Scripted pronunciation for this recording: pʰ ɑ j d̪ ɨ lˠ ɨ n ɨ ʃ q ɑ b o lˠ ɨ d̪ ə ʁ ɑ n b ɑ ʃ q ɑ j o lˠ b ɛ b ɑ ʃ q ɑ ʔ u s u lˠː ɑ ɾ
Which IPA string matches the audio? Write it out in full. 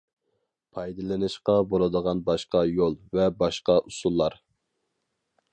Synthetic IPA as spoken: pʰ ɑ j d̪ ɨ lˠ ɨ n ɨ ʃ q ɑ b o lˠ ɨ d̪ ə ʁ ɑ n b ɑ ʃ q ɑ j o lˠ v ɛ b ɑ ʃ q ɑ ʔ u s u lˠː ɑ ɾ